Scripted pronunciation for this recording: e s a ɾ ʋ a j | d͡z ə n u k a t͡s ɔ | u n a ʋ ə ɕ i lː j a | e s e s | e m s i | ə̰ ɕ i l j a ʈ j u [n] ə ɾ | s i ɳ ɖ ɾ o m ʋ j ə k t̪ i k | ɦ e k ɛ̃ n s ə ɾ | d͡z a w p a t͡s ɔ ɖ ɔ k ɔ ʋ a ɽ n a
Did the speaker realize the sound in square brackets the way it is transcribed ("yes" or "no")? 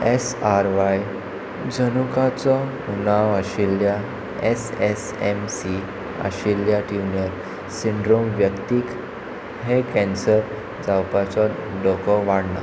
yes